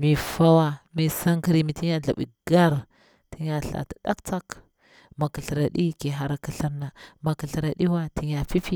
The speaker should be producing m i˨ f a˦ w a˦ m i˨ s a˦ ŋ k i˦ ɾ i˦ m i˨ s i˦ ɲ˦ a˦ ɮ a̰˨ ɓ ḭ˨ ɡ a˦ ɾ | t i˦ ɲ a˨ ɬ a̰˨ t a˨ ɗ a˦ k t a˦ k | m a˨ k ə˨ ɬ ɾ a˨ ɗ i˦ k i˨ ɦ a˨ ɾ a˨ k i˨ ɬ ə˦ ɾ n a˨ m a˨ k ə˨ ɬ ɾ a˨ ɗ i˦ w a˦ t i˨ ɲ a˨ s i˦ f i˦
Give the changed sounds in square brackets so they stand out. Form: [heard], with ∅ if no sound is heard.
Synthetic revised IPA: m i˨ f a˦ w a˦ m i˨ s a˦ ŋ k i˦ ɾ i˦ m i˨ [t] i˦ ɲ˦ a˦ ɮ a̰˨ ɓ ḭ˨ ɡ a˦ ɾ | t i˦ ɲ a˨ ɬ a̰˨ t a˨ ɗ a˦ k [t͡s] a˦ k | m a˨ k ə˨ ɬ ɾ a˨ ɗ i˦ k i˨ ɦ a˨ ɾ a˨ k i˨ ɬ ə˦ ɾ n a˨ m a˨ k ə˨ ɬ ɾ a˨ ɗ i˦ w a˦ t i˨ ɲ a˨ [f] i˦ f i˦